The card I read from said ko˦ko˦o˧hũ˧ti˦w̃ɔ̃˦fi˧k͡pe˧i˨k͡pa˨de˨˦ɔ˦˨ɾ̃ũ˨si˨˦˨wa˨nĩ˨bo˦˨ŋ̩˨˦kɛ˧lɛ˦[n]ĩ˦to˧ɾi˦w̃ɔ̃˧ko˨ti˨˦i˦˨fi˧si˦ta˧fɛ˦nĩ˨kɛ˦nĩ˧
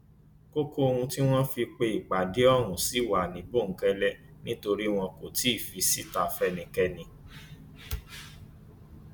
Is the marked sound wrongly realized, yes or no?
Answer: no